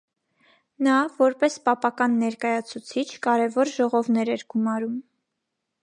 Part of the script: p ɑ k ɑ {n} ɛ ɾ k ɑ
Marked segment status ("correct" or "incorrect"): incorrect